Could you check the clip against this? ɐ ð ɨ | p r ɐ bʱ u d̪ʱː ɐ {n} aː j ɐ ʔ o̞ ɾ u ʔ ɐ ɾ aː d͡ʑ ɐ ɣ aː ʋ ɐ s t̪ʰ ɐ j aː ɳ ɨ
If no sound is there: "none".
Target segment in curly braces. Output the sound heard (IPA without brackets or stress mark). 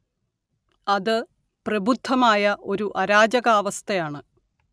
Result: m